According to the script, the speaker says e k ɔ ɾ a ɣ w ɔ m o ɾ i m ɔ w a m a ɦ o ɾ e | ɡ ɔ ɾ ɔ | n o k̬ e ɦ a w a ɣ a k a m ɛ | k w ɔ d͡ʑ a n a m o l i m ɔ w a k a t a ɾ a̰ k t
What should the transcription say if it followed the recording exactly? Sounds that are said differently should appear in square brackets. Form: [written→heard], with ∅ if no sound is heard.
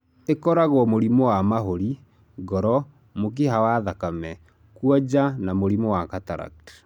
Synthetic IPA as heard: e k ɔ ɾ a ɣ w ɔ m o ɾ i m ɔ w a m a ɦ o ɾ [e→i] | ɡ ɔ ɾ ɔ | [n→m] o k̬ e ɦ a w a [ɣ→ð] a k a m ɛ | k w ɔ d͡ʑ a n a m o [l→ɾ] i m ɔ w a k a t a ɾ a̰ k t